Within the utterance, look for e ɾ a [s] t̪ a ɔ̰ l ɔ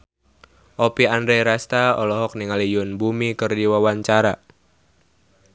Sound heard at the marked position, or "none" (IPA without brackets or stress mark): s